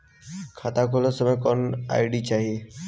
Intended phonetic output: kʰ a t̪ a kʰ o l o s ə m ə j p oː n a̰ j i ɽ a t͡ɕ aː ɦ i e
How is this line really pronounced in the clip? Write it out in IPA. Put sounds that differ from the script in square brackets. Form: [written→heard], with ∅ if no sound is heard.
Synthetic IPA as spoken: kʰ a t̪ a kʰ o l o s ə m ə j [p→k] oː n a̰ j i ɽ [a→i] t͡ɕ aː ɦ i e

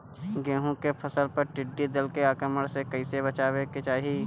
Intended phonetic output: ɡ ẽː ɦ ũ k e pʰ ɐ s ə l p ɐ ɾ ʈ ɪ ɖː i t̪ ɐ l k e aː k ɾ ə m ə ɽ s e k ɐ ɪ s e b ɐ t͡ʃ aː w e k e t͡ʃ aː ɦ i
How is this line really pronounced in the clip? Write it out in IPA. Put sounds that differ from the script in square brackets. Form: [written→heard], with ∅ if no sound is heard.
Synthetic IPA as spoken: ɡ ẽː ɦ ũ k e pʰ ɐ s ə l p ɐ ɾ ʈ ɪ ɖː i [t̪→d̪] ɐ l k e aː k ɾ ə m ə ɽ s e k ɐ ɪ s e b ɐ t͡ʃ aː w e k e t͡ʃ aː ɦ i

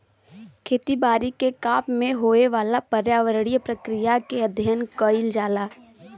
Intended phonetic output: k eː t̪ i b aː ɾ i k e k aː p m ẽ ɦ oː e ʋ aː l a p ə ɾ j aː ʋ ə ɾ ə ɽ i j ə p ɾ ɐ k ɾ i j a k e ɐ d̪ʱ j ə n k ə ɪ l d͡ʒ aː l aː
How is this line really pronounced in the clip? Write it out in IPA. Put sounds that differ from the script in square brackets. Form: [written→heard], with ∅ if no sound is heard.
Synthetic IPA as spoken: [k→kʰ] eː t̪ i b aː ɾ i k e k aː p m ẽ ɦ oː e ʋ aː l a p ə ɾ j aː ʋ ə ɾ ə ɽ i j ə p ɾ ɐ k ɾ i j a k e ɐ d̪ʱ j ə n k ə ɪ l d͡ʒ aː l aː

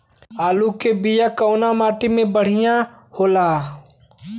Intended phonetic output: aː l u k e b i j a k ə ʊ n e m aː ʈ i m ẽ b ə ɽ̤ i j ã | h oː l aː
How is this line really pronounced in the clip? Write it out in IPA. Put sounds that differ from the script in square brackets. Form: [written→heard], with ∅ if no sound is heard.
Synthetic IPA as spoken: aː l u k e b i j a k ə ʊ n [e→a] m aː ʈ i m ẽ b ə ɽ̤ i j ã | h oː l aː

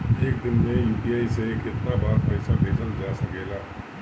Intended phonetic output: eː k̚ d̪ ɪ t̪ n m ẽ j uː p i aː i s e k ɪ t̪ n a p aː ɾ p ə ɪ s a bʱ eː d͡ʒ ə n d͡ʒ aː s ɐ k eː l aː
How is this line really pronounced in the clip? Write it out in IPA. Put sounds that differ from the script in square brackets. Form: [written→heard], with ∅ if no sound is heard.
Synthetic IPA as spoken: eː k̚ d̪ ɪ [t̪→∅] n m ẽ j uː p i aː i s e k ɪ t̪ n a [p→b] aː ɾ p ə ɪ s a bʱ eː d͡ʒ ə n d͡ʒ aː s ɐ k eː l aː

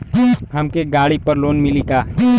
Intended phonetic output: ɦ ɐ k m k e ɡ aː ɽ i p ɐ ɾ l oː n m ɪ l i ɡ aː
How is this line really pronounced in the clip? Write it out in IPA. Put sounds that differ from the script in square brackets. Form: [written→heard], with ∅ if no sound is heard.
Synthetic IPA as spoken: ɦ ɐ [k→∅] m k e ɡ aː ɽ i p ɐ ɾ l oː n m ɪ l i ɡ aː

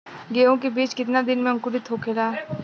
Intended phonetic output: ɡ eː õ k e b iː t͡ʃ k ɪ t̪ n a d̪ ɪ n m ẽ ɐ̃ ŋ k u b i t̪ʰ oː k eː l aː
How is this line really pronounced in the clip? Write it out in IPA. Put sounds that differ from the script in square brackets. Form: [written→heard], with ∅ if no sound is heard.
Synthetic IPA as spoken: ɡ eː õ k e b iː t͡ʃ k ɪ t̪ n a d̪ ɪ n m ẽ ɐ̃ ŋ k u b i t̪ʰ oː k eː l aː

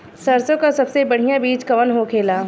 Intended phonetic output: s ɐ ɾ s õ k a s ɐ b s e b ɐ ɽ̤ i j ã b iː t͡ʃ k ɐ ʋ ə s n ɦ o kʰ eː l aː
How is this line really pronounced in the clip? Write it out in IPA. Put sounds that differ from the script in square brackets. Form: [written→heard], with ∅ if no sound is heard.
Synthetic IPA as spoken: s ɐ ɾ s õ k a s ɐ b s e b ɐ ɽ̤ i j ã b iː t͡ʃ k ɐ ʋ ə [s→∅] n ɦ o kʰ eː l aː

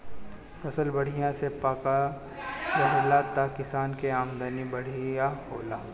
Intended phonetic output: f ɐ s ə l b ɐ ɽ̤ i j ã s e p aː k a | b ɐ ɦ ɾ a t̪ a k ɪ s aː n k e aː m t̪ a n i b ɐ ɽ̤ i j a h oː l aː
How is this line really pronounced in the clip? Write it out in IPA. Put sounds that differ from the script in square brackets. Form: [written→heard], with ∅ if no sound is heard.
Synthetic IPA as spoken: f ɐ s ə l b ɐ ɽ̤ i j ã s e p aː k a | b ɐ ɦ [ɾ→l] a t̪ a k ɪ s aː n k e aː m [t̪→d̪] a n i b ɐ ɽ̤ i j a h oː l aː

